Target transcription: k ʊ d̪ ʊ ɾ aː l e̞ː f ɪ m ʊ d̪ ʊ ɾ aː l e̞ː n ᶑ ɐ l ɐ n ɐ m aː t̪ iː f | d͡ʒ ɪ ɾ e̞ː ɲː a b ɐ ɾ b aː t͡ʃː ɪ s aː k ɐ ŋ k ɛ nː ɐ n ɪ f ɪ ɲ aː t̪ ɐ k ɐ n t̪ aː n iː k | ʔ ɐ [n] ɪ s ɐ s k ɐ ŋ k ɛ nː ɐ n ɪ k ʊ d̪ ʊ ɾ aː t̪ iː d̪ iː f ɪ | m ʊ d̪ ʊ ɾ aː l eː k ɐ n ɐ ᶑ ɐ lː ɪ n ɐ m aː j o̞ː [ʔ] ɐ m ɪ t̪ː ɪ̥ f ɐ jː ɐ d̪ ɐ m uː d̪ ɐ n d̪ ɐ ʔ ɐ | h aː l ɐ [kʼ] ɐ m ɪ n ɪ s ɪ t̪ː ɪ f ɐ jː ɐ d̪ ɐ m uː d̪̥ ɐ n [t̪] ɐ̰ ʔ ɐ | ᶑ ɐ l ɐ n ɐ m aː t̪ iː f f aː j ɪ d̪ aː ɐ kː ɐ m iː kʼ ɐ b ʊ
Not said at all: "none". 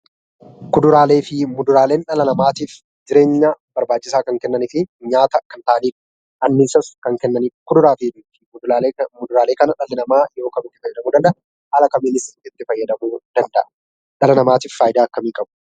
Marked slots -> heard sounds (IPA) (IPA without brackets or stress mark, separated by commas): nː, k, k, d̪